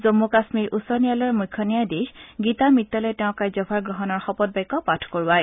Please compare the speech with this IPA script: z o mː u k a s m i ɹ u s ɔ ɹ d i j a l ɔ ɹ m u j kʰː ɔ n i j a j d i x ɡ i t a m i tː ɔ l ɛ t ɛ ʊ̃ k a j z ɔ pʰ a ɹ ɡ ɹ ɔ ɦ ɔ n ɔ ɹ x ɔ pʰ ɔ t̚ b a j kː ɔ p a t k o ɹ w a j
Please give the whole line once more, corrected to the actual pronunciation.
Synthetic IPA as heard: z o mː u k a s m i ɹ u s ɔ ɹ n i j a l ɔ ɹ m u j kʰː ɔ n i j a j d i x ɡ i t a m i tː ɔ l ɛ t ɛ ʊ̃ k a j z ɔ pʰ a ɹ ɡ ɹ ɔ ɦ ɔ n ɔ ɹ x ɔ p ɔ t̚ b a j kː ɔ p a tʰ k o ɹ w a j

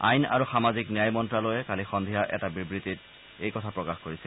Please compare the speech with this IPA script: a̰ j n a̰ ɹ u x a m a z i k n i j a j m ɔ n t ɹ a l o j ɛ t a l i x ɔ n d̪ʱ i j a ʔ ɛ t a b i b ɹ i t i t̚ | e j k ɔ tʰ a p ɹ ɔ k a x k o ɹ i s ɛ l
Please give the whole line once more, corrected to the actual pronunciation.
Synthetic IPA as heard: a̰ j n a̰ ɹ u x a m a z i k n i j a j m ɔ n t ɹ a l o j ɛ k a l i x ɔ n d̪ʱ i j a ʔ ɛ t a b i b ɹ i t i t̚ | e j k ɔ tʰ a p ɹ ɔ k a x k o ɹ i s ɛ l

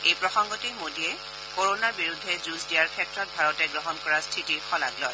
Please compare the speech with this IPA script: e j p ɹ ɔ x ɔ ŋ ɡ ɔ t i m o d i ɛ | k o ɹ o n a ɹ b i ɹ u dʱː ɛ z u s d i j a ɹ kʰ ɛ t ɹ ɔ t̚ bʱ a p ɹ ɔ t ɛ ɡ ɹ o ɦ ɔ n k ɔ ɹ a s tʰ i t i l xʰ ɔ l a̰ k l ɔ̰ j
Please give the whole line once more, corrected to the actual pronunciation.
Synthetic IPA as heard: e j p ɹ ɔ x ɔ ŋ ɡ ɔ t i m o d i ɛ | k o ɹ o n a ɹ b i ɹ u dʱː ɛ z u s d i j a ɹ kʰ ɛ t ɹ ɔ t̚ bʱ a ɹ ɔ t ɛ ɡ ɹ ɔ ɦ ɔ n k ɔ ɹ a s tʰ i t i ɹ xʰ ɔ l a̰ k l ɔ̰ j

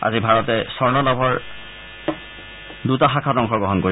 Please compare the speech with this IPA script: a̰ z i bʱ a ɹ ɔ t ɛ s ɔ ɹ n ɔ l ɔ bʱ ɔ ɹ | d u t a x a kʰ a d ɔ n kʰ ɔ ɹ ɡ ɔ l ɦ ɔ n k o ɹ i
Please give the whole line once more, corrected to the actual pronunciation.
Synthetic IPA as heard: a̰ z i bʱ a ɹ ɔ t ɛ s ɔ ɹ n ɔ l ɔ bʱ ɔ ɹ | d u t a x a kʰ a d ɔ ŋ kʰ ɔ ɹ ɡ ɔ ɦ ɔ n k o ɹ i

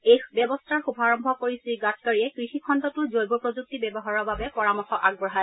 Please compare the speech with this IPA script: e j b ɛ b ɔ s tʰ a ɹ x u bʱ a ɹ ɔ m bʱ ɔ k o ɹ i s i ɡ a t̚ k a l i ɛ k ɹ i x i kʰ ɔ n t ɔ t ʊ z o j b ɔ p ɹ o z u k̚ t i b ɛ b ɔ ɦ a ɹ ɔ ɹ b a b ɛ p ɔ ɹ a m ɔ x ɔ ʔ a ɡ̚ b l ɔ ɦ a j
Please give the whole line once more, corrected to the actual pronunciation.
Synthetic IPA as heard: e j b ɛ b ɔ s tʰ a ɹ x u bʱ a ɹ ɔ m bʱ ɔ k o ɹ i s i ɡ a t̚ k a ɹ i ɛ k ɹ i x i kʰ ɔ n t ɔ t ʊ z o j b ɔ p ɹ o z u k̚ t i b ɛ b ɔ ɦ a ɹ ɔ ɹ b a b ɛ p ɔ ɹ a m ɔ x ɔ ʔ a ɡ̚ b ɹ ɔ ɦ a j

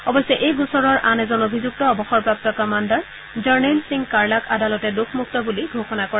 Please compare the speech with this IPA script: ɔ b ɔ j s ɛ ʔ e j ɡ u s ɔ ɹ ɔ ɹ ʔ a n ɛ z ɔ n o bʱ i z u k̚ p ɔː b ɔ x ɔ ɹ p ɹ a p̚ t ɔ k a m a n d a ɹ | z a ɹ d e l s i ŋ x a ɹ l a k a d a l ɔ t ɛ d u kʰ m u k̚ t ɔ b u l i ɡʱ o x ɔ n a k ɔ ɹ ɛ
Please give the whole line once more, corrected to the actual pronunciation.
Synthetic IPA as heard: ɔ b ɔ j s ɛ ʔ e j ɡ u s ɔ ɹ ɔ ɹ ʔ a n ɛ z ɔ n o bʱ i z u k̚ t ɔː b ɔ x ɔ ɹ p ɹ a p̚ t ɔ k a m a n d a ɹ | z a ɹ n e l s i ŋ k a ɹ l a k a d a l ɔ t ɛ d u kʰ m u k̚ t ɔ b u l i ɡʱ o x ɔ n a k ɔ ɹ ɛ

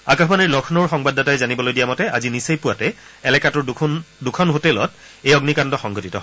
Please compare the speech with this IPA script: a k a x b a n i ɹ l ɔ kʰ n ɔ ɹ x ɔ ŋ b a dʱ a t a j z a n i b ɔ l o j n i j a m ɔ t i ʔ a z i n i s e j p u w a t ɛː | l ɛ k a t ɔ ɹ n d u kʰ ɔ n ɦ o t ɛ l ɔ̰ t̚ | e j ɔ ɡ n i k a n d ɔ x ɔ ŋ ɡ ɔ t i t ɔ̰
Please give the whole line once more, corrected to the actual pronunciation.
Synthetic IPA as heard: a k a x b a n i ɹ l ɔ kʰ n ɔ ɹ x ɔ ŋ b a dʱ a t a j z a n i b ɔ l o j d i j a m ɔ t ɛ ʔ a z i n i s e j p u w a t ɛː | l ɛ k a t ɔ ɹ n d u kʰ ɔ n ɦ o t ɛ l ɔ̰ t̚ | e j ɔ ɡ n i k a n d ɔ x ɔ ŋ ɡ ɔ t i t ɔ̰

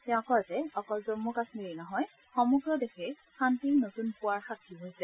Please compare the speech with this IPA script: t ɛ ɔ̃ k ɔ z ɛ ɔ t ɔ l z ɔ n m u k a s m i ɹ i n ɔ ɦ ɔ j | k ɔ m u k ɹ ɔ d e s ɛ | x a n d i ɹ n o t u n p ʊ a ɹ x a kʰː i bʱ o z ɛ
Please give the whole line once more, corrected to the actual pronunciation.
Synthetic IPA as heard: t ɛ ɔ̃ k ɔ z ɛ ɔ k ɔ l z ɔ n m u k a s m i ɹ i n ɔ ɦ ɔ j | x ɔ m u ɡ ɹ ɔ d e x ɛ | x a n t i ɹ n o t u n p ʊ a ɹ x a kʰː i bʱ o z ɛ

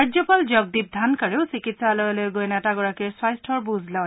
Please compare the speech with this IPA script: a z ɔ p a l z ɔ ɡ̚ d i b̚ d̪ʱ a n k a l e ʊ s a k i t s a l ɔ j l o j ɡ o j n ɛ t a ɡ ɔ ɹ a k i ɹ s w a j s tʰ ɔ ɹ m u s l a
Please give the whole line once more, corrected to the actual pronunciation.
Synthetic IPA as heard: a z ɔ p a l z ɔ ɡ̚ d i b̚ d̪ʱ a n k a ɹ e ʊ s i k i t s a l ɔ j l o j ɡ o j n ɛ t a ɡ ɔ ɹ a k i ɹ s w a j s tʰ ɔ ɹ b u z l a

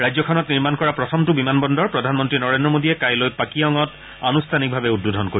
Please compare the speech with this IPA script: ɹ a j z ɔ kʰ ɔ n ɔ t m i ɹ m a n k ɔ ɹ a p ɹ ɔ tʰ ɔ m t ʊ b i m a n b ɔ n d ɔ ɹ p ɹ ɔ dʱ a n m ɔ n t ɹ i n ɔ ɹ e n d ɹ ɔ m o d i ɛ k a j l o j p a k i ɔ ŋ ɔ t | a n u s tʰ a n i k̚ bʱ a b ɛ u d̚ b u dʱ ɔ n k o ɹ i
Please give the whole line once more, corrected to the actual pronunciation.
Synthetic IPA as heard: ɹ a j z ɔ kʰ ɔ n ɔ t n i ɹ m a n k ɔ ɹ a p ɹ ɔ tʰ ɔ m t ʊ b i m a n b ɔ n d ɔ ɹ p ɹ ɔ dʱ a n m ɔ n t ɹ i n ɔ ɹ e n d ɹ ɔ m o d i ɛ k a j l o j p a k i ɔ ŋ ɔ t | a n u s tʰ a n i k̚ bʱ a b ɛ u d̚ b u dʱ ɔ n k o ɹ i

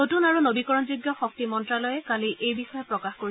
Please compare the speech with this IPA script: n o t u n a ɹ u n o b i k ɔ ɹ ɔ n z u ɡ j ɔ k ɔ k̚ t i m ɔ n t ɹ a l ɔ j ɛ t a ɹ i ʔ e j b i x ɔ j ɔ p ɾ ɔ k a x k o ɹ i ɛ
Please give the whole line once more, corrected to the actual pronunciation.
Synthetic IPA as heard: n o t u n a ɹ u n o b i k ɔ ɹ ɔ n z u ɡ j ɔ x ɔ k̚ t i m ɔ n t ɹ a l ɔ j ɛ k a l i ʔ e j b i x ɔ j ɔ p ɹ ɔ k a x k o ɹ i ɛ

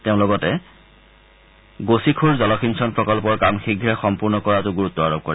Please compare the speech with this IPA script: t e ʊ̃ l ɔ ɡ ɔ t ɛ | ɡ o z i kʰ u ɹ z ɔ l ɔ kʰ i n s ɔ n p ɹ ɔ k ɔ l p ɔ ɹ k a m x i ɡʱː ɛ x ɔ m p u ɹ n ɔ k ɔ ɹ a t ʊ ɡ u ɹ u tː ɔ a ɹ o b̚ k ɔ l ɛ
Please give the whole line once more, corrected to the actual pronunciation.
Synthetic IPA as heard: t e ʊ̃ l ɔ ɡ ɔ t ɛ | ɡ o s i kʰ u ɹ z ɔ l ɔ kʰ i n s ɔ n p ɹ ɔ k ɔ l p ɔ ɹ k a m x i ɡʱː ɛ x ɔ m p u ɹ n ɔ k ɔ ɹ a t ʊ ɡ u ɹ u tː ɔ a ɹ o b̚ k ɔ ɹ ɛ

